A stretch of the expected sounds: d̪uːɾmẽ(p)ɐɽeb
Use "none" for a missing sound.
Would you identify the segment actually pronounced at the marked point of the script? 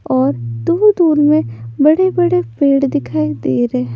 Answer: b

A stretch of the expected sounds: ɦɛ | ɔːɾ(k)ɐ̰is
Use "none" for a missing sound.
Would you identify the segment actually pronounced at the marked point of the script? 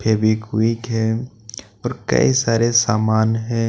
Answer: k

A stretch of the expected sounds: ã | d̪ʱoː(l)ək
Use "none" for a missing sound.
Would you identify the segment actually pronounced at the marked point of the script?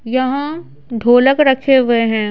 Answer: l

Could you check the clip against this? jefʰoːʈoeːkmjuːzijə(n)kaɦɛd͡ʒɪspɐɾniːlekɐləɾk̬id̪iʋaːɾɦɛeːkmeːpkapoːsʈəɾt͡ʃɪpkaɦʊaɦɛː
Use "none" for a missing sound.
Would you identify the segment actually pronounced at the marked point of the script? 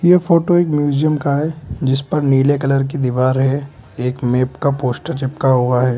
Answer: m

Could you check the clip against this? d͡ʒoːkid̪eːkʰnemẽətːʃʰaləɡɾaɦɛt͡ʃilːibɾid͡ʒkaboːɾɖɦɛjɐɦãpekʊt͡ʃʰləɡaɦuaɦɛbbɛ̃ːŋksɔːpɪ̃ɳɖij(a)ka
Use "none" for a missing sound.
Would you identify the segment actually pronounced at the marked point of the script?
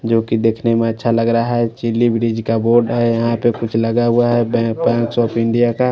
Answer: a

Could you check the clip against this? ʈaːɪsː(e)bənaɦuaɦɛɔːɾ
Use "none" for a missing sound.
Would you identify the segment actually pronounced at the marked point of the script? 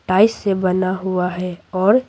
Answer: e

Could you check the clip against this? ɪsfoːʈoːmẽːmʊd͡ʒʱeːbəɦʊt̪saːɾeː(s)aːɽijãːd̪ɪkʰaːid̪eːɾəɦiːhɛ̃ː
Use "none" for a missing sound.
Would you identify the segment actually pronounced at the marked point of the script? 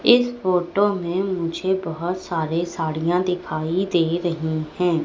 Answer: s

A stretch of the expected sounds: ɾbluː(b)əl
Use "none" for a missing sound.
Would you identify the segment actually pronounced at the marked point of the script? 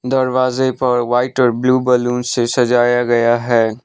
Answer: b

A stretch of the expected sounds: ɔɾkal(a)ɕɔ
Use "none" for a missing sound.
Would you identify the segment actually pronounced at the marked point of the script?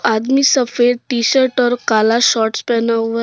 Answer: a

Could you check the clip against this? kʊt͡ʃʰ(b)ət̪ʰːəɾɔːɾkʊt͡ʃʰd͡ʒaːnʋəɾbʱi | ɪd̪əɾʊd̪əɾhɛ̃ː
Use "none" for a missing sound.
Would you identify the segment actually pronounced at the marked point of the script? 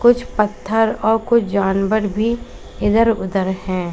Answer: p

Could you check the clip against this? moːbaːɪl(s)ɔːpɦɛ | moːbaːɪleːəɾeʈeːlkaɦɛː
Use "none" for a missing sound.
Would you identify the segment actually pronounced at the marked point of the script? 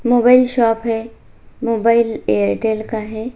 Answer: ʃ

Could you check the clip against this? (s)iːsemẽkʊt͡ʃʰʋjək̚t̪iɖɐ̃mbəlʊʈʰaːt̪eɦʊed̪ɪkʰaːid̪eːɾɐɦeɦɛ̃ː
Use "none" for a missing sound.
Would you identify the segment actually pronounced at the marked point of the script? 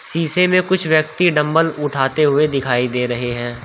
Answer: s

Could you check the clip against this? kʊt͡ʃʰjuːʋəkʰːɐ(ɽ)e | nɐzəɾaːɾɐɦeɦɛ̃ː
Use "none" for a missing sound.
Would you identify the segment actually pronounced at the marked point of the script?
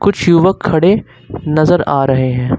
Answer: ɽ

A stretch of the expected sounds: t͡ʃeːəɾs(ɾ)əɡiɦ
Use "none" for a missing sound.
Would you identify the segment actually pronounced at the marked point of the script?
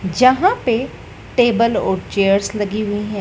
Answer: l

